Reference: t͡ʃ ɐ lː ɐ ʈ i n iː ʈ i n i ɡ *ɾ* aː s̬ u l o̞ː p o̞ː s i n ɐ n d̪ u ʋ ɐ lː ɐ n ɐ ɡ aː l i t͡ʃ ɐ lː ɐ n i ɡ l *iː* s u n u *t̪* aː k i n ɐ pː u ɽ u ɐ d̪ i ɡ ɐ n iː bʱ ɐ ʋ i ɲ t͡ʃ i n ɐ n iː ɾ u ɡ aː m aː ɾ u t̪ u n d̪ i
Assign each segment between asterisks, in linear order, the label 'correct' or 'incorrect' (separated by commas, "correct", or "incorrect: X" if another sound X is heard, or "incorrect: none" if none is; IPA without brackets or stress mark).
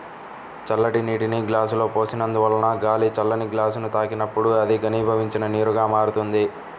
incorrect: l, incorrect: aː, correct